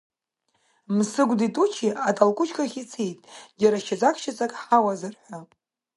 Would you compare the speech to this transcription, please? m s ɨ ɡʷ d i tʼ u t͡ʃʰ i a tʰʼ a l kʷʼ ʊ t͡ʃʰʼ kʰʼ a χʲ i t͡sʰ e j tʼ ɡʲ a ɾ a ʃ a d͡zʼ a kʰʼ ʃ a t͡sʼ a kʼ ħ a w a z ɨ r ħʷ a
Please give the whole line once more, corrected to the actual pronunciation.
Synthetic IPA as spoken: m s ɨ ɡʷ d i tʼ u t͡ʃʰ i a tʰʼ a l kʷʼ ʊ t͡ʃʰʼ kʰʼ a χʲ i t͡sʰ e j tʼ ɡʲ a ɾ a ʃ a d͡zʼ a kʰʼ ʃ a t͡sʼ a kʼ ħ a w a z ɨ r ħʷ a

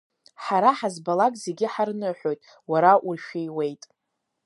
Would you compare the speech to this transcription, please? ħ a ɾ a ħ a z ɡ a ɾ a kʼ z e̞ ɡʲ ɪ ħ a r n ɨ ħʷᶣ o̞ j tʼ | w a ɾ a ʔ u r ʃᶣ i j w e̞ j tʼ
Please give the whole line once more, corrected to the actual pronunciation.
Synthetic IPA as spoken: ħ a ɾ a ħ a z b a l a kʼ z e̞ ɡʲ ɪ ħ a r n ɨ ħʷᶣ o̞ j tʼ | w a ɾ a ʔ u r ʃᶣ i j w e̞ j tʼ

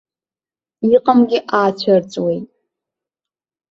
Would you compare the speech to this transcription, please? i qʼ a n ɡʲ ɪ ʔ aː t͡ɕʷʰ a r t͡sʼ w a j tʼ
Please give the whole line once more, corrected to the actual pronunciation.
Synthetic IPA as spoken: i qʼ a m ɡʲ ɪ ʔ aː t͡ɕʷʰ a r t͡sʼ w e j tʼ

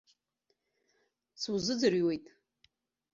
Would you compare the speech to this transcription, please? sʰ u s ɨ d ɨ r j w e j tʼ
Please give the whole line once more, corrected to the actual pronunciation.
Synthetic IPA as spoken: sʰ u z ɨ d͡z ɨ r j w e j tʼ

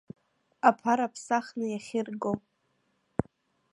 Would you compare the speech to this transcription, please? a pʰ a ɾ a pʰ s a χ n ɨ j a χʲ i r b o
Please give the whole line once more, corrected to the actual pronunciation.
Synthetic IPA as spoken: a pʰ a ɾ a pʰ s a χ n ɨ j a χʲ ɪ r ɡ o

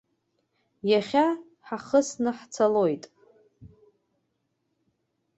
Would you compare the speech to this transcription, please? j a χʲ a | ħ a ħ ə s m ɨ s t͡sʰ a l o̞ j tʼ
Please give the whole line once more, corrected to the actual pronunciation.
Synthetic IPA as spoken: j a χʲ a | ħ a χ ə s n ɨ ħ t͡sʰ a l o̞ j tʼ

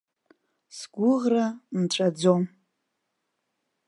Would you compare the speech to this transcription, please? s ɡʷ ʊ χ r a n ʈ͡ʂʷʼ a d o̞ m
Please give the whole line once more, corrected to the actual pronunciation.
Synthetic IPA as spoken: s ɡʷ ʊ ʁ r a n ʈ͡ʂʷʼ a d͡z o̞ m

